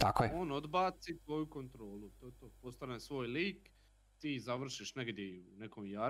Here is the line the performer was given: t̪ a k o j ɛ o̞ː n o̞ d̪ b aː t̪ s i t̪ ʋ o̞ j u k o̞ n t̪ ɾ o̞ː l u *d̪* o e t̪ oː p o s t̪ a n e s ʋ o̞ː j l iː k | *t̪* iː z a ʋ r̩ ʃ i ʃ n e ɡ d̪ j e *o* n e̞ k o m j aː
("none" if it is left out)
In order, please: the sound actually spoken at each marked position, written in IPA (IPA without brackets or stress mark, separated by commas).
t̪, t̪, u